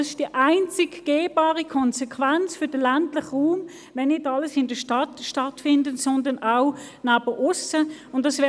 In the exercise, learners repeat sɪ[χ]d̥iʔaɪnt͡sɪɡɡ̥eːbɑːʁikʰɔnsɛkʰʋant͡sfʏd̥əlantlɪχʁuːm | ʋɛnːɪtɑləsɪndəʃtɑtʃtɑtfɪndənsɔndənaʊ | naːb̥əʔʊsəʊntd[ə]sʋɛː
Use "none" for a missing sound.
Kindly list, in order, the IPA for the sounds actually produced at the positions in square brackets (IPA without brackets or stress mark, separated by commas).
ʃ, ɑ